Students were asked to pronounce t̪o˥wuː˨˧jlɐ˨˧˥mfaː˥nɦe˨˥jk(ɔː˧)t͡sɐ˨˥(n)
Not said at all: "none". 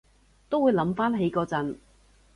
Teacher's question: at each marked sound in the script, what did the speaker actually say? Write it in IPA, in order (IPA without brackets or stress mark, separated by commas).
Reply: ɔː˧, n